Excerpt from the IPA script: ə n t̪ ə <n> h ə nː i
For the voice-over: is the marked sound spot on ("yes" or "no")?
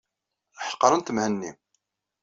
no